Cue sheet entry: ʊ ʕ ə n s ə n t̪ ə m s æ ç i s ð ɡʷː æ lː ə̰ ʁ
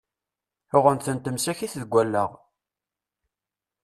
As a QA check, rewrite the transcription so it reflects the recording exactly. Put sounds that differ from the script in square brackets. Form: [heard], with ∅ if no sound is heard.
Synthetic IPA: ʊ [ʁ] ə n [θ] ə n t̪ ə m s æ ç i [θ] ð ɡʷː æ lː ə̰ ʁ